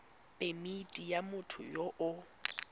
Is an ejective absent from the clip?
no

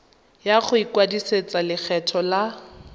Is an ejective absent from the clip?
yes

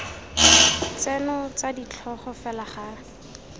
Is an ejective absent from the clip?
yes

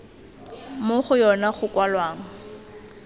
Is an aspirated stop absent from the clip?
yes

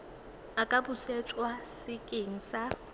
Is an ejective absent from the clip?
no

